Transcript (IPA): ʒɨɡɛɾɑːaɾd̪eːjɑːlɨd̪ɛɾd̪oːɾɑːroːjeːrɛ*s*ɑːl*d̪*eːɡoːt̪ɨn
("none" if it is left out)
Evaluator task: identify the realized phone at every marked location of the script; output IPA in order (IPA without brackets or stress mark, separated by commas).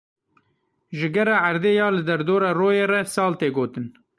s, t̪